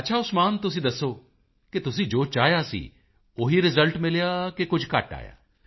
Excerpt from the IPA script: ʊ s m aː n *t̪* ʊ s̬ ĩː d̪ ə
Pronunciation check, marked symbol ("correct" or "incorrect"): correct